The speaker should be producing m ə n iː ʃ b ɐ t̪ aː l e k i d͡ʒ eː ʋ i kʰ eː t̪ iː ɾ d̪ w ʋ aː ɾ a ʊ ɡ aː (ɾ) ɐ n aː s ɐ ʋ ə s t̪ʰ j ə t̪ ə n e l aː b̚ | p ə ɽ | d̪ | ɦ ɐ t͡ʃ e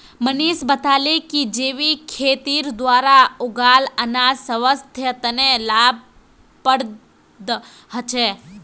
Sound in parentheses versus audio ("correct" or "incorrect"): incorrect